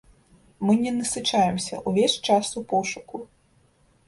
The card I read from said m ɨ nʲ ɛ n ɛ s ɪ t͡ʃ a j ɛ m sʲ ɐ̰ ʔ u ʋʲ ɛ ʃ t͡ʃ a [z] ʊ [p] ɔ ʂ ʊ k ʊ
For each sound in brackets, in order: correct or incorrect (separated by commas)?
incorrect, correct